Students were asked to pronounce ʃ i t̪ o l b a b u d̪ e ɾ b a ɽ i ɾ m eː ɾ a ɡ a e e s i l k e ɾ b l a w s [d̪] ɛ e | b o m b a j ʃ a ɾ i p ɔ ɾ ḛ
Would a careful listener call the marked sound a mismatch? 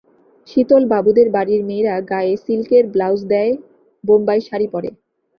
no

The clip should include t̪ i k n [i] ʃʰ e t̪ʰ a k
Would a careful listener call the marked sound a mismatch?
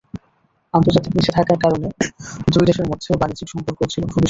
no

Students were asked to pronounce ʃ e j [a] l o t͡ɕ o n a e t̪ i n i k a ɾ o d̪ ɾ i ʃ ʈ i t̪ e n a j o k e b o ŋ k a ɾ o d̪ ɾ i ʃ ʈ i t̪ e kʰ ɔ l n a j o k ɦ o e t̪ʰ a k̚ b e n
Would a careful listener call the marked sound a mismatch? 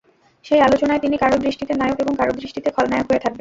no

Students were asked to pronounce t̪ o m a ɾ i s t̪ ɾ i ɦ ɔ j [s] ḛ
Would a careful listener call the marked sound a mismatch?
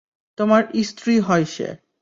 yes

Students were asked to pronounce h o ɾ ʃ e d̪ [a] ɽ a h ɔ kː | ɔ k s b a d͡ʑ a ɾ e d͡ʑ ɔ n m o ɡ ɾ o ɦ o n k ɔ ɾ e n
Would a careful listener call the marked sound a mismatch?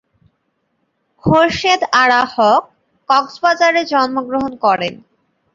no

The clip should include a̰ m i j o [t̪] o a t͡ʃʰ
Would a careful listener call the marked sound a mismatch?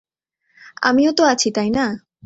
no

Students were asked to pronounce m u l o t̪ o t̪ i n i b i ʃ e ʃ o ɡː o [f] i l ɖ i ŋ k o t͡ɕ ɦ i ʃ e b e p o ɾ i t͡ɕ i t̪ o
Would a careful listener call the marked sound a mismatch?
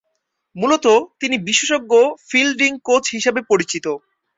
no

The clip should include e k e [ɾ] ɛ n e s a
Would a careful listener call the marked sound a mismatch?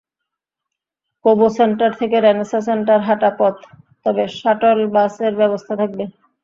no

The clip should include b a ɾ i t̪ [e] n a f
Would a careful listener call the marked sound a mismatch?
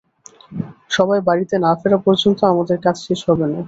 no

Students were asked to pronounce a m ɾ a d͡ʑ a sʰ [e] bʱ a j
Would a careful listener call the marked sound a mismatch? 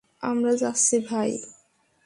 yes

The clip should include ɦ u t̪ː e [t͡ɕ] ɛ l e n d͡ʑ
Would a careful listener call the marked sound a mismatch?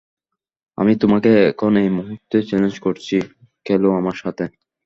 no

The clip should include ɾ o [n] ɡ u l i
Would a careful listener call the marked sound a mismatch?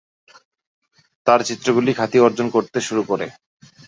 yes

